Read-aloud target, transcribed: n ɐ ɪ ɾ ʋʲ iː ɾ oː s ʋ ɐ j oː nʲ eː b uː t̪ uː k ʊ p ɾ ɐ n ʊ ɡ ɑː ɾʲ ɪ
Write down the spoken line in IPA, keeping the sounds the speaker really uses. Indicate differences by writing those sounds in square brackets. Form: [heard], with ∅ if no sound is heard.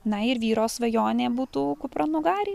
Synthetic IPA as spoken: n ɐ ɪ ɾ ʋʲ iː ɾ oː s ʋ ɐ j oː nʲ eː b uː t̪ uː k ʊ p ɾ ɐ n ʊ ɡ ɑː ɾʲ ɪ